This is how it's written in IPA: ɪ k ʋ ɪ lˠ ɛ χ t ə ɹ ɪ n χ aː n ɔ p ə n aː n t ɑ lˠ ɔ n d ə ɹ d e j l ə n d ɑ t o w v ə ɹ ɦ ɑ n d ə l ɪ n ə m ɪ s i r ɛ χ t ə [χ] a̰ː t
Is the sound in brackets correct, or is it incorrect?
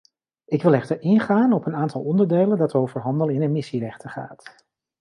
correct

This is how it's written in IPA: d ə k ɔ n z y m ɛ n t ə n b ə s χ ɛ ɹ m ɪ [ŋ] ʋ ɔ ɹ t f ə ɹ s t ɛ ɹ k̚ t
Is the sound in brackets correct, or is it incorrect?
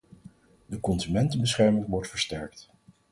correct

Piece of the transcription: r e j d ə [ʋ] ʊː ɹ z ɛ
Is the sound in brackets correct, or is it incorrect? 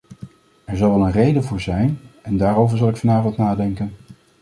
incorrect: v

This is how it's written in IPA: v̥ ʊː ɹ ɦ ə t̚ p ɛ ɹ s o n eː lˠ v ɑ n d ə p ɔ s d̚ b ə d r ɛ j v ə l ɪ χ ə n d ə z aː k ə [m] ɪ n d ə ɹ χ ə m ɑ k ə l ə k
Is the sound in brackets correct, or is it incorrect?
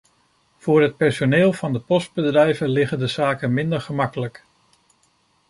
correct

